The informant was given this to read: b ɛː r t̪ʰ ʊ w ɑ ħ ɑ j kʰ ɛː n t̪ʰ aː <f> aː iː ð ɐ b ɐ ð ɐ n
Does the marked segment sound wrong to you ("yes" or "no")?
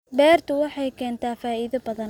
no